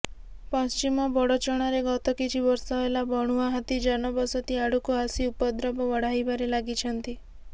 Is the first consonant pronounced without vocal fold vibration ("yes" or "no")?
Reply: yes